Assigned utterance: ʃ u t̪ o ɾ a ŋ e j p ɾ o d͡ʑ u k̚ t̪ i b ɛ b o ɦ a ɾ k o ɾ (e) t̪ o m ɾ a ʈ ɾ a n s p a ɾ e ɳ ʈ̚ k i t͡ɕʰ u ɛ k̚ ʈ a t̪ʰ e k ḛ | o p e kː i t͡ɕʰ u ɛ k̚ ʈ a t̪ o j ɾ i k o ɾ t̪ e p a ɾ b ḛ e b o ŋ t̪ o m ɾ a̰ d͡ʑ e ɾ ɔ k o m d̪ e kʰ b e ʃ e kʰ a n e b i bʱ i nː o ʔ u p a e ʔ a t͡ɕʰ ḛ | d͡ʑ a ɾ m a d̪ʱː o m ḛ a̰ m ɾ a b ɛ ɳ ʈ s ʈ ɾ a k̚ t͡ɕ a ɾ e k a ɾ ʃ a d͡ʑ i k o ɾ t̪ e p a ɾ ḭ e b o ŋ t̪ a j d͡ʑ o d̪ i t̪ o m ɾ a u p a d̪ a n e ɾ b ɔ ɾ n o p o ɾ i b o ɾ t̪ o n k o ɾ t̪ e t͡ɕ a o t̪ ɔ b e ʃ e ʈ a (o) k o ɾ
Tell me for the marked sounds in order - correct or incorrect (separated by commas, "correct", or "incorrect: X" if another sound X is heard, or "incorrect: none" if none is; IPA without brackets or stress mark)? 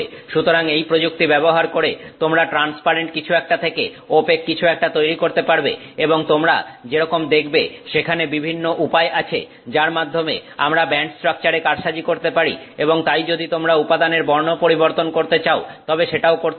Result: correct, correct